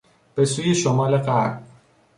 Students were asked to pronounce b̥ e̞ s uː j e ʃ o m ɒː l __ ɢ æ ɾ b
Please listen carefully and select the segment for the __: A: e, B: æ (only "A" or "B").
A